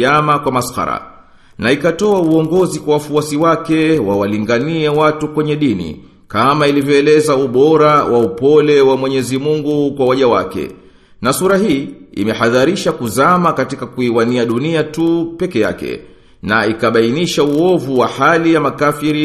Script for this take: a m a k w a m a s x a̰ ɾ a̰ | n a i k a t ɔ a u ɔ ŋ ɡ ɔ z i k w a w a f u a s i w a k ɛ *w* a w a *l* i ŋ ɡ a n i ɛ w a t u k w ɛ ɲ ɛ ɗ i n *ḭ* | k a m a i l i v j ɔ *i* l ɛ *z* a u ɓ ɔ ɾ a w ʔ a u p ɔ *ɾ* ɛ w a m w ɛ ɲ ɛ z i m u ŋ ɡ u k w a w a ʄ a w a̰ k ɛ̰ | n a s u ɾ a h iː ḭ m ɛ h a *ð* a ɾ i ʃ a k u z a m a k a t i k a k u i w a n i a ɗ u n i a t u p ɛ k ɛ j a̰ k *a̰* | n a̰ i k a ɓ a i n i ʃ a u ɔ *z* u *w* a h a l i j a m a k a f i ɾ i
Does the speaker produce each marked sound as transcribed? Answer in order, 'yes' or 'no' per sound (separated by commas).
yes, yes, yes, no, yes, no, yes, no, no, yes